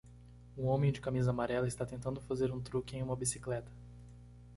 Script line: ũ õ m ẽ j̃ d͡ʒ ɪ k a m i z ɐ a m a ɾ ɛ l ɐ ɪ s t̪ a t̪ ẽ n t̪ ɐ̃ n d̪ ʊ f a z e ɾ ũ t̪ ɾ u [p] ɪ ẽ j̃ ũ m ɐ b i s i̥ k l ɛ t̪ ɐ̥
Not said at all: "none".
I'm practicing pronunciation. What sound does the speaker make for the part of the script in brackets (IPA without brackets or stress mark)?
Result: k